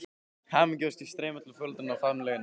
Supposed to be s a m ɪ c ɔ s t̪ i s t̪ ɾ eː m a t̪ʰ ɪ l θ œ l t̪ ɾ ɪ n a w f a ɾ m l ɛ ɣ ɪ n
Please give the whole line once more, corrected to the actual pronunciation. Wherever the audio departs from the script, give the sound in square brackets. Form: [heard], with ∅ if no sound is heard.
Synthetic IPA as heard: [h] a m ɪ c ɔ s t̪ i s t̪ ɾ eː m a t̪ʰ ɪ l [f] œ l t̪ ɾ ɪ n a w f a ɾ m l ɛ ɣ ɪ n